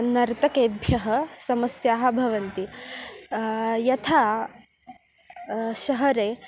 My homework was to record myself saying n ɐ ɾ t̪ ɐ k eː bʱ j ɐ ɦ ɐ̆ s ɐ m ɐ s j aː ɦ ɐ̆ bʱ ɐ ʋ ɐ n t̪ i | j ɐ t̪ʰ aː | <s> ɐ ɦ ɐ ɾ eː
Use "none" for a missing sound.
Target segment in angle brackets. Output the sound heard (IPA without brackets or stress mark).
ʃ